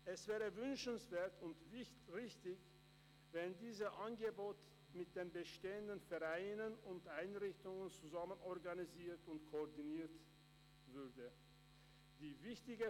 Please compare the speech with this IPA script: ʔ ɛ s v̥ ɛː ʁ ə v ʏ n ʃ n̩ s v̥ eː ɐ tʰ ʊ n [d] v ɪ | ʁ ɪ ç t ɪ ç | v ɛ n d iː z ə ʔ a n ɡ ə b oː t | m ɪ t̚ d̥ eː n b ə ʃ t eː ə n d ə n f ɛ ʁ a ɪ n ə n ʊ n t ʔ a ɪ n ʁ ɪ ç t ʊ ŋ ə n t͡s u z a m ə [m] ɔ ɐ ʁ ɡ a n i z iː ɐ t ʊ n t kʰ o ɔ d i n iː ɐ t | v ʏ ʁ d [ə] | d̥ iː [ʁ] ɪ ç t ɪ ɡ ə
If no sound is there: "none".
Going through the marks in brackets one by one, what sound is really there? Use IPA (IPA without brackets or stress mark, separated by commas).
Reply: t, n, ə, v